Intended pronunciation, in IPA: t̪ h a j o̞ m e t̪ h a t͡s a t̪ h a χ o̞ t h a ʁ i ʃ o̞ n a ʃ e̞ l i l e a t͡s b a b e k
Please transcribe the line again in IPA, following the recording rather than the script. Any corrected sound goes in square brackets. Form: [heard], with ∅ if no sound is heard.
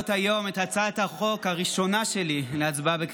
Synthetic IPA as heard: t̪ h a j o̞ m e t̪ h a t͡s a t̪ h a χ o̞ [k] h a ʁ i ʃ o̞ n a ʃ e̞ l i l e a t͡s b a b e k